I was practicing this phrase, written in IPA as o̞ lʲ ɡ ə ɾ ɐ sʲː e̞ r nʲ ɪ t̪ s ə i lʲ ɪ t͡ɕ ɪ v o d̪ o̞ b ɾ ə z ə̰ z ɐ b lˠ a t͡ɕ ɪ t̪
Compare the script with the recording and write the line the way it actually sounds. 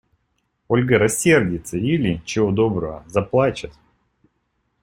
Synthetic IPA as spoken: o̞ lʲ ɡ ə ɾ ɐ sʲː e̞ r dʲ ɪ t̪ s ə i lʲ ɪ t͡ɕ ɪ v o d̪ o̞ b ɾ ə v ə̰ z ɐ p lˠ a t͡ɕ ɪ t̪